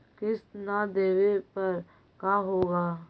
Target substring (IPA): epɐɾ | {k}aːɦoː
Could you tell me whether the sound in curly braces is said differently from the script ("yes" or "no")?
no